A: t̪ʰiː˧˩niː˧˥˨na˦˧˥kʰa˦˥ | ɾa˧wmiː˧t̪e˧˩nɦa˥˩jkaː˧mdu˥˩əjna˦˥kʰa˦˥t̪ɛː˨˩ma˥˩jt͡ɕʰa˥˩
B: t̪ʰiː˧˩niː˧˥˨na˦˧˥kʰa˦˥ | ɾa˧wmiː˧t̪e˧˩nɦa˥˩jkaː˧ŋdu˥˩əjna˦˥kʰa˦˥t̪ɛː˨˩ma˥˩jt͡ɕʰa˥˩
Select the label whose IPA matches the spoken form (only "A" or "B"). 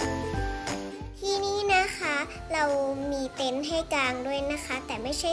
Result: B